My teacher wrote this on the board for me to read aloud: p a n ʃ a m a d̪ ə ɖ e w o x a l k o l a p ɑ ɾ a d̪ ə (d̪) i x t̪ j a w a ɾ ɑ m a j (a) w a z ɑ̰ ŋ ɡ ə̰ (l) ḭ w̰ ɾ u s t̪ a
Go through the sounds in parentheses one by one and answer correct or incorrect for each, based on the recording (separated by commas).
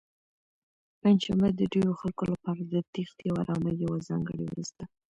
incorrect, correct, incorrect